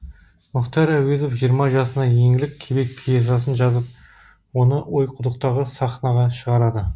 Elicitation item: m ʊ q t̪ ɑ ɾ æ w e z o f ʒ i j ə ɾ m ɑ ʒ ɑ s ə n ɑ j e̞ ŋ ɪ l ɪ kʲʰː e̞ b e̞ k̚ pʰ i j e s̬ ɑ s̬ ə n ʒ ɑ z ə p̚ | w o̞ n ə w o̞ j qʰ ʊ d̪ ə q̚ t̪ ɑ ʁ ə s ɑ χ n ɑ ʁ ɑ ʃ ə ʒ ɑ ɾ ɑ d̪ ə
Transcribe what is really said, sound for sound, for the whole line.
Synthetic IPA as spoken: m ʊ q t̪ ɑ ɾ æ w e z o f ʒ i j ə ɾ m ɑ ʒ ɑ s ə n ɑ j e̞ ŋ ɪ l ɪ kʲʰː e̞ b e̞ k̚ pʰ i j e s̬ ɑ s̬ ə n ʒ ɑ z ə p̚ | w o̞ n ə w o̞ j qʰ ʊ d̪ ə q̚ t̪ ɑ ʁ ə s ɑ χ n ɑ ʁ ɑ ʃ ə ʁ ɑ ɾ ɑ d̪ ə